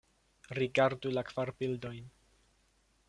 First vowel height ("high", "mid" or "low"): high